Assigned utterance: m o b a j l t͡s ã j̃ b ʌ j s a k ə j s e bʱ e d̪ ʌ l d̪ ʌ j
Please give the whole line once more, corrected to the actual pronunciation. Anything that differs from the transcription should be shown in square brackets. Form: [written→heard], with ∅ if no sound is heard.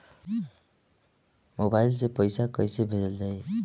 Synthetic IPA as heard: m o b a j l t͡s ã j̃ [b→p] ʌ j s a k [ə→ʌ] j s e bʱ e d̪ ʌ l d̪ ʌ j